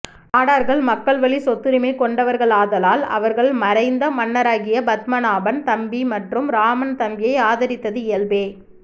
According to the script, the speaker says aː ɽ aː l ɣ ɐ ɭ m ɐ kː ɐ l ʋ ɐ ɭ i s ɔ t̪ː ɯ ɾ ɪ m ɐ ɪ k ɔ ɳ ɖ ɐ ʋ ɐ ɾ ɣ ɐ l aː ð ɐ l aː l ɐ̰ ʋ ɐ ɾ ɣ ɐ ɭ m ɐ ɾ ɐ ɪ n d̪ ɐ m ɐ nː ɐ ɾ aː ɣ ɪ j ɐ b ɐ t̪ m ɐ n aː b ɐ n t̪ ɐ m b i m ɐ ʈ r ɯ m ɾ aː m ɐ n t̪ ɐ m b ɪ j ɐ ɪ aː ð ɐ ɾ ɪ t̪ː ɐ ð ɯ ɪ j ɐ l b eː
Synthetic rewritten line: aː ɽ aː ɾ ɣ ɐ ɭ m ɐ kː ɐ ɭ ʋ ɐ ɭ i s ɔ t̪ː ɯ ɾ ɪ m ɐ ɪ k ɔ ɳ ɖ ɐ ʋ ɐ ɾ ɣ ɐ ɭ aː ð ɐ l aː l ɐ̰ ʋ ɐ ɾ ɣ ɐ ɭ m ɐ ɾ ɐ ɪ n d̪ ɐ m ɐ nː ɐ ɾ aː ɣ ɪ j ɐ b ɐ t̪ m ɐ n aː b ɐ n t̪ ɐ m b i m ɐ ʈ r ɯ m ɾ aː m ɐ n t̪ ɐ m b ɪ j ɐ ɪ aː ð ɐ ɾ ɪ t̪ː ɐ ð ɯ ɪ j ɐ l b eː